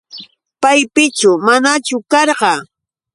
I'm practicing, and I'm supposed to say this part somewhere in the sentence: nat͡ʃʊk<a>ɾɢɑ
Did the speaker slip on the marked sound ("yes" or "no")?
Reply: yes